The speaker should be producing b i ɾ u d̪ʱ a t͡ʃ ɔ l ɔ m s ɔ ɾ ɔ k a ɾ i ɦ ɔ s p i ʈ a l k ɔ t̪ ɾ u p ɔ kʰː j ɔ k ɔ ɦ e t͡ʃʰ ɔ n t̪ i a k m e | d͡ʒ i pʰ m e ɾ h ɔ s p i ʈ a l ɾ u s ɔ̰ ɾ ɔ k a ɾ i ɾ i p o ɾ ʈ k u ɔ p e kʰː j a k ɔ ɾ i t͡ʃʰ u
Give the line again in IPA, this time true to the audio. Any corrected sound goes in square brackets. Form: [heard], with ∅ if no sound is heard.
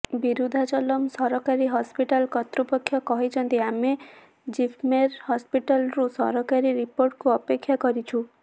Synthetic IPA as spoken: b i ɾ u d̪ʱ a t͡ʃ ɔ l ɔ m s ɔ ɾ ɔ k a ɾ i ɦ ɔ s p i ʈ a l k ɔ t̪ ɾ u p ɔ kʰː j ɔ k ɔ ɦ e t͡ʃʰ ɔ n t̪ i a [∅] m e | d͡ʒ i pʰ m e ɾ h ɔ s p i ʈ a l ɾ u s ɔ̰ ɾ ɔ k a ɾ i ɾ i p o ɾ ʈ k u ɔ p e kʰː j a k ɔ ɾ i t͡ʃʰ u